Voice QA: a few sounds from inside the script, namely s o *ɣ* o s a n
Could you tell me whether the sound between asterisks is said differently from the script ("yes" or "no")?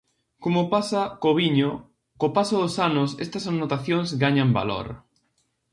yes